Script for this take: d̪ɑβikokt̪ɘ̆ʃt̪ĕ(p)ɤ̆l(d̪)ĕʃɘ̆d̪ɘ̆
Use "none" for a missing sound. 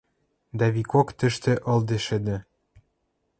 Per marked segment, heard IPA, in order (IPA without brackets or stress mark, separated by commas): ʔ, d̪